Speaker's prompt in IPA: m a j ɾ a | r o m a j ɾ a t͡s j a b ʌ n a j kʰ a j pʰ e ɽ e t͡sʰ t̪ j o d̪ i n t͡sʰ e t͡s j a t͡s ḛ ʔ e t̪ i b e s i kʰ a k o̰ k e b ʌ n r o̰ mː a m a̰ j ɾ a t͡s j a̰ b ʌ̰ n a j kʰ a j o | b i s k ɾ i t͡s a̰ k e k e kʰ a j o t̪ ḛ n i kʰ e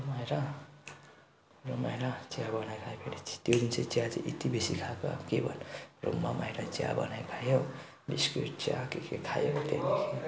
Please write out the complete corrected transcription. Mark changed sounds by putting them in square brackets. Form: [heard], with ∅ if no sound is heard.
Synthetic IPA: m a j ɾ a | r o m a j ɾ a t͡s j a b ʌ n a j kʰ a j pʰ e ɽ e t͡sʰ t̪ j o d̪ i n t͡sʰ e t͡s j a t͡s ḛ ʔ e t̪ i b e s i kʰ a k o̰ k e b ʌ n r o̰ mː a m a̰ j ɾ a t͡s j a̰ b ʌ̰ n a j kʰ a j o | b i s k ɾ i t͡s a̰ k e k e kʰ a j o t̪ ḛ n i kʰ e